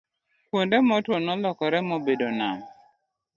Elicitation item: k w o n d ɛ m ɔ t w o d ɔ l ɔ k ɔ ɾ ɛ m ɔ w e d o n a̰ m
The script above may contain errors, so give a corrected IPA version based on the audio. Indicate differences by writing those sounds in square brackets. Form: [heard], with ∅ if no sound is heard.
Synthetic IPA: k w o n d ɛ m ɔ t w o [n] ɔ l ɔ k ɔ ɾ ɛ m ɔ [b] e d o n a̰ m